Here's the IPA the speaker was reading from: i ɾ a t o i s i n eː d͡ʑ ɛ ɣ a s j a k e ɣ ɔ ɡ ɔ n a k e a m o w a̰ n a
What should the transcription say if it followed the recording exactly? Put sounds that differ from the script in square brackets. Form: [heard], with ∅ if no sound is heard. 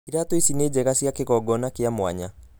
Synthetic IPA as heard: i ɾ a t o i s i n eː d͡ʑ ɛ ɣ a s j a k e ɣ ɔ ɡ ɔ n a k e a m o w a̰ [ɲ] a